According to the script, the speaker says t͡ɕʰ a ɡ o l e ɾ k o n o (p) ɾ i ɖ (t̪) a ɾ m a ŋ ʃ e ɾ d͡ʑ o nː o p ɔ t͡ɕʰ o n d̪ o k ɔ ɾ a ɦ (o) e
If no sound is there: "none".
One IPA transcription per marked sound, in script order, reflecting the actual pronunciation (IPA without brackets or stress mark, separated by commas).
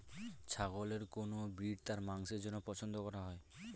b, t̪, ɔ